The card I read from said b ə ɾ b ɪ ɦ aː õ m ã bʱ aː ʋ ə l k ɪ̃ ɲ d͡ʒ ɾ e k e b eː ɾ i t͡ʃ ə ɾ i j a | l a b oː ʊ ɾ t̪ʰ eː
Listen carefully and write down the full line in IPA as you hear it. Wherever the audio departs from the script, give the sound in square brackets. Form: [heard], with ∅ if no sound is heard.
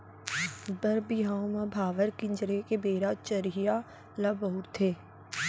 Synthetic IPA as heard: b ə ɾ b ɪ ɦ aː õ m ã bʱ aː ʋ ə [ɾ] k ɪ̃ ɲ d͡ʒ ɾ e k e b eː ɾ [a] t͡ʃ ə ɾ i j a | l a b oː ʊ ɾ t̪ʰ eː